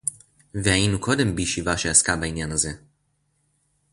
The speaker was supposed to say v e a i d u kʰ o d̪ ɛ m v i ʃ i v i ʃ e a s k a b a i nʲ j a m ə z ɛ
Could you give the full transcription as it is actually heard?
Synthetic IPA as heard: v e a i n u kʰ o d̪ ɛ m b i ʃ i v a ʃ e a s k a b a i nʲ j a n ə z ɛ